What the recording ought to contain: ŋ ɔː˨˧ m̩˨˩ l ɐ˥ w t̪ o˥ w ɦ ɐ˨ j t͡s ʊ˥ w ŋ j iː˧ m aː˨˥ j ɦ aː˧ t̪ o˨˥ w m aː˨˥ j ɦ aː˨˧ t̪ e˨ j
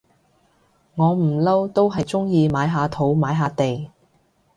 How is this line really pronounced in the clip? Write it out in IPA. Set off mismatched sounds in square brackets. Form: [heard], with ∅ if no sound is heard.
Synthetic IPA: ŋ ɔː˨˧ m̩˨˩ l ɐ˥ w t̪ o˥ w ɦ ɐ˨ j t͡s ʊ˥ [∅] ŋ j iː˧ m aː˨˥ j ɦ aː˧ [t̪ʰ] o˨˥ w m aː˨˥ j ɦ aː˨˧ t̪ e˨ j